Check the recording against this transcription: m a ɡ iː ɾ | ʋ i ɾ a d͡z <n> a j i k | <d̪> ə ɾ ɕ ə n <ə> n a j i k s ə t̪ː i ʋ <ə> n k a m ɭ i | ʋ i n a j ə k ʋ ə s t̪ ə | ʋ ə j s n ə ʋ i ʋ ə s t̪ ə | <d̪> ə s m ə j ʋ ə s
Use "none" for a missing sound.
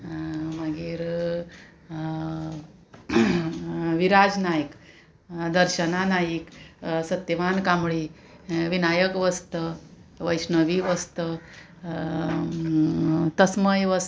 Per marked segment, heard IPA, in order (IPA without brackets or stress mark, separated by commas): n, d̪, a, a, t̪